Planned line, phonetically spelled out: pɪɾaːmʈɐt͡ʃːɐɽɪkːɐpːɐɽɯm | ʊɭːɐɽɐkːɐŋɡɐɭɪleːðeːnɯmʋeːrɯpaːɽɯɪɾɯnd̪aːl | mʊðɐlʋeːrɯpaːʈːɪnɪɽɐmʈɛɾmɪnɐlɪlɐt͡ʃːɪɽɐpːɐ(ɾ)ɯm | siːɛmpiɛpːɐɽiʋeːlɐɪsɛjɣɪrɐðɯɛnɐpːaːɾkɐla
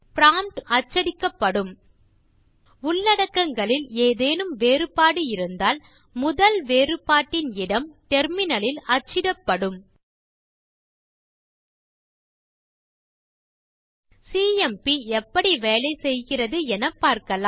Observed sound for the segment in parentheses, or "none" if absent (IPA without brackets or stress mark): ɽ